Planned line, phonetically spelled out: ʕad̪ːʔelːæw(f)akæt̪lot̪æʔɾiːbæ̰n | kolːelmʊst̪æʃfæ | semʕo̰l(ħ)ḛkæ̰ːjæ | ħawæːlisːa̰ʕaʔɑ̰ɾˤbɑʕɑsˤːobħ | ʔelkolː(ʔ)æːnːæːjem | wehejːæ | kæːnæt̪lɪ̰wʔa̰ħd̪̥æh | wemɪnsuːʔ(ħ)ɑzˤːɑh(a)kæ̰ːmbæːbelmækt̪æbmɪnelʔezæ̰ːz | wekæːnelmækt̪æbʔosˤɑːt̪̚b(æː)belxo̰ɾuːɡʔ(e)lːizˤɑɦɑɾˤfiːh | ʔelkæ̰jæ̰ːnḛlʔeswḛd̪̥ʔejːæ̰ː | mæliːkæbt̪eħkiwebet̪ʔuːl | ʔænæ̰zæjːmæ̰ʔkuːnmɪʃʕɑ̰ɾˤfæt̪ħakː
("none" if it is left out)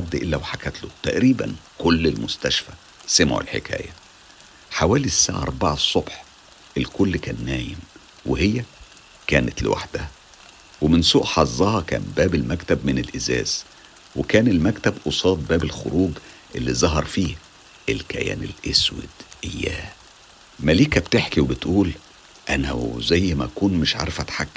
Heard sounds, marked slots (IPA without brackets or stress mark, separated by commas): ħ, ħ, k, ħ, ɑ, æː, e